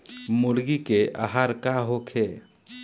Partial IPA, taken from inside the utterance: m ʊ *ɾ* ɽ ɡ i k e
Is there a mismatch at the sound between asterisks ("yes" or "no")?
yes